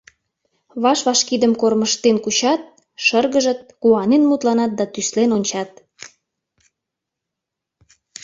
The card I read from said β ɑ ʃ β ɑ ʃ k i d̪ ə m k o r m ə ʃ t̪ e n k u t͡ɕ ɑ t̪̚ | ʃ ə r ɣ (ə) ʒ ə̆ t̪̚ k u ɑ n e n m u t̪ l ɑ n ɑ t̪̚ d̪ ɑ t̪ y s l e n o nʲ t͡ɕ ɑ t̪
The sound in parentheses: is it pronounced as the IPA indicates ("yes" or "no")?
yes